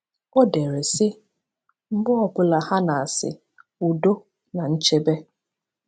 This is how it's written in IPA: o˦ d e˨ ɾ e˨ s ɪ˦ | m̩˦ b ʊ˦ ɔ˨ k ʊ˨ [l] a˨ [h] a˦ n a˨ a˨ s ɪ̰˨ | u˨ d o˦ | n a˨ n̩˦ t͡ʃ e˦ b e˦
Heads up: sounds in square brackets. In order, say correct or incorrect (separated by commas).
correct, correct